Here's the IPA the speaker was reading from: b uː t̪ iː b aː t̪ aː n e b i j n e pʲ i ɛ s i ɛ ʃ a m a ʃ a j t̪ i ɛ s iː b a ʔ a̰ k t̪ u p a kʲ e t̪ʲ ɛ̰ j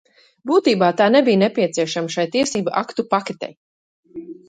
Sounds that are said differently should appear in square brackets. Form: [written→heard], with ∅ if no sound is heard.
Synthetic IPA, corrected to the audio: b uː t̪ iː b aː t̪ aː n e b i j n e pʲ i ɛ s i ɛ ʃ a m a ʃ a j t̪ i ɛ s iː b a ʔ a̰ k t̪ u p a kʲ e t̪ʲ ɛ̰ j